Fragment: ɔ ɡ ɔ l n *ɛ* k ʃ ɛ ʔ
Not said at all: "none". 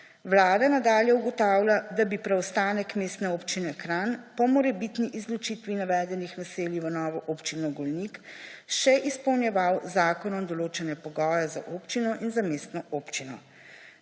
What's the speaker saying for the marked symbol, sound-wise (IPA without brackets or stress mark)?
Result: i